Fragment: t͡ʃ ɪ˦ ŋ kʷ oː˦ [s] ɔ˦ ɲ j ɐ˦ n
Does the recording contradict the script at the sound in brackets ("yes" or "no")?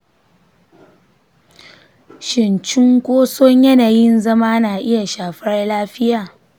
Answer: no